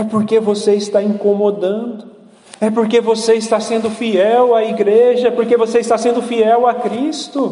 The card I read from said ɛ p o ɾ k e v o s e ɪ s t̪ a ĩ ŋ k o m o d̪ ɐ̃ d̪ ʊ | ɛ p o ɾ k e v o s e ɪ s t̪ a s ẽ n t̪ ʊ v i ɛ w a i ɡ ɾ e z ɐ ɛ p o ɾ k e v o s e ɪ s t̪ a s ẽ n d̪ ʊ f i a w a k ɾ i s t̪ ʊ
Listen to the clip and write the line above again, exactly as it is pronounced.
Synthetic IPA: ɛ p o ɾ k e v o s e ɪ s t̪ a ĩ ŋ k o m o d̪ ɐ̃ d̪ ʊ | ɛ p o ɾ k e v o s e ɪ s t̪ a s ẽ n d̪ ʊ f i ɛ w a i ɡ ɾ e ʒ ɐ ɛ p o ɾ k e v o s e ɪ s t̪ a s ẽ n d̪ ʊ f i ɛ w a k ɾ i s t̪ ʊ